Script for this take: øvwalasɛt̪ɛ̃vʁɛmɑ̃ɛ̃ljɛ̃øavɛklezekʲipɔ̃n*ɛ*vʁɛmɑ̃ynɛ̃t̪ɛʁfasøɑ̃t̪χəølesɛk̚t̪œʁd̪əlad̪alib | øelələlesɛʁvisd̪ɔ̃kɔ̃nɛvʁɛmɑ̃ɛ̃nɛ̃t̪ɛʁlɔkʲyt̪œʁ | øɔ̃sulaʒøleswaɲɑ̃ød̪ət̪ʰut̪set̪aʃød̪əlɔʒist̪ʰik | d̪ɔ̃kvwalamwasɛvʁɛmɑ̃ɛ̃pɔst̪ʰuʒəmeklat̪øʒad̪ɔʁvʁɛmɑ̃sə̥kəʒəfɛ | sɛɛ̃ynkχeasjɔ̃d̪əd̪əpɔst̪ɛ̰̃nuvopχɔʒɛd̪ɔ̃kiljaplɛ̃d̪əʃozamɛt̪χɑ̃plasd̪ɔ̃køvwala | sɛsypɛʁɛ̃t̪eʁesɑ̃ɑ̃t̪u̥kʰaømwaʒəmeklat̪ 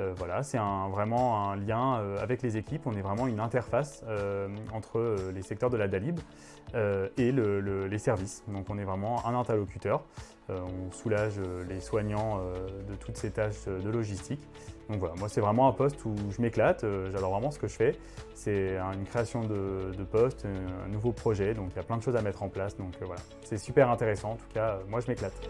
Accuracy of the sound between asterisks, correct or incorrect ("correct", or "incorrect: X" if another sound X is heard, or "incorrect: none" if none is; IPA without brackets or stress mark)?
correct